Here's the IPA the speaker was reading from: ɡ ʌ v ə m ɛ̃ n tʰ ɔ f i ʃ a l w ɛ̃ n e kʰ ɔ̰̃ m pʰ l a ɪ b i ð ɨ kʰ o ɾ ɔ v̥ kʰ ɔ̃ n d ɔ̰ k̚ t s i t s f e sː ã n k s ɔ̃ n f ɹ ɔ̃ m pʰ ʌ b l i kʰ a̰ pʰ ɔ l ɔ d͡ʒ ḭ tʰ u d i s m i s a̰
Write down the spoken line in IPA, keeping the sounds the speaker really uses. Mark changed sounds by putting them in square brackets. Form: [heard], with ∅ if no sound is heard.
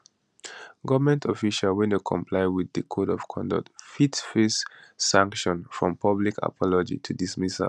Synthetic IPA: ɡ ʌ v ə m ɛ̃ n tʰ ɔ f i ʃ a l w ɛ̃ n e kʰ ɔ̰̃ m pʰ l a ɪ [w] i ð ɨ kʰ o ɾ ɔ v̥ kʰ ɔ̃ n d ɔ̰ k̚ t [f] i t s f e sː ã [ŋ] k [ʃ] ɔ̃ n f ɹ ɔ̃ m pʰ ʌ b l i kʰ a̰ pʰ ɔ l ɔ d͡ʒ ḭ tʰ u d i s m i s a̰